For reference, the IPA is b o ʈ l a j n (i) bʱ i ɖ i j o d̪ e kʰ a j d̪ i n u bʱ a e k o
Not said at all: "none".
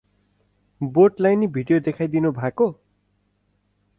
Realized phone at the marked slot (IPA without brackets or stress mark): i